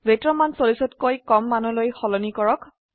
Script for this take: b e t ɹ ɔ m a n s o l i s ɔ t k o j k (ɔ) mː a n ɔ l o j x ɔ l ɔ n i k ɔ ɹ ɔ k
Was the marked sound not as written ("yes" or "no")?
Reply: no